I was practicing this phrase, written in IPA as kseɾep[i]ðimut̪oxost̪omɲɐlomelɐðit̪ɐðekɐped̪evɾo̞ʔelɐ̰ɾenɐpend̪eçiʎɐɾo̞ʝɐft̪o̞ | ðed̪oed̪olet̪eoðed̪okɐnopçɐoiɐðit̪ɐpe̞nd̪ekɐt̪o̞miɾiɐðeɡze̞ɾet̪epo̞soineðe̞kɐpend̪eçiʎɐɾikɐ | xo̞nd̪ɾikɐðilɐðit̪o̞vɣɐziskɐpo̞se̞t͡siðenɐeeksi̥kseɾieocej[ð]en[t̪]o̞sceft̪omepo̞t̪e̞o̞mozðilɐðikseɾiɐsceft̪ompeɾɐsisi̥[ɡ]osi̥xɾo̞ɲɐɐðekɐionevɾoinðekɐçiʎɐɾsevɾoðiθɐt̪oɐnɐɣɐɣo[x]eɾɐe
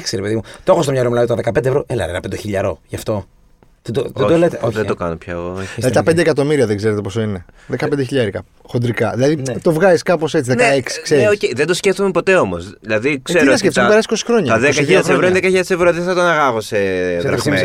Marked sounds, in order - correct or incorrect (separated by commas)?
incorrect, correct, incorrect, incorrect, incorrect